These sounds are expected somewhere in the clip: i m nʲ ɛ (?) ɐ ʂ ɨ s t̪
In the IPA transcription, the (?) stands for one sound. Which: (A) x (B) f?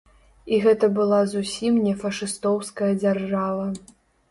B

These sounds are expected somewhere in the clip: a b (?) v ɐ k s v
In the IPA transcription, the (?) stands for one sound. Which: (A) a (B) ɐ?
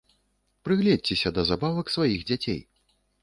A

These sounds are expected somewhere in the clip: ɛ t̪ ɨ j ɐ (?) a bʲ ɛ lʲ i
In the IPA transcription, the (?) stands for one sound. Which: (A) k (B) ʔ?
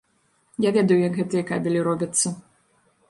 A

